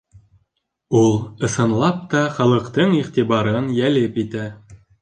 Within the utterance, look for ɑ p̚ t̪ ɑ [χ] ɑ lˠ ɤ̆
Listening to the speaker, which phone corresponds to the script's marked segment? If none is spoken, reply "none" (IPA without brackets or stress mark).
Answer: χ